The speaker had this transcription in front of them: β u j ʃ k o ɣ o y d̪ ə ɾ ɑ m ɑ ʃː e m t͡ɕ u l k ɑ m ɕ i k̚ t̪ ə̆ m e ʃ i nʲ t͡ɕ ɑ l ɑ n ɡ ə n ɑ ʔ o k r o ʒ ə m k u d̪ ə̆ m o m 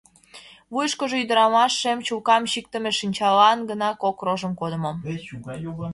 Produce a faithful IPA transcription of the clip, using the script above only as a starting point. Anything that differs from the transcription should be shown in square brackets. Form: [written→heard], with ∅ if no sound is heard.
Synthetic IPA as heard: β u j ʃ k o [ɣ→ʒ] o y d̪ ə ɾ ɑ m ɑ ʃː e m t͡ɕ u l k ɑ m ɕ i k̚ t̪ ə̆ m e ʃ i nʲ t͡ɕ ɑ l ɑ n ɡ ə n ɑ [ʔ→k] o k r o ʒ ə m k [u→o] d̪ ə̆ m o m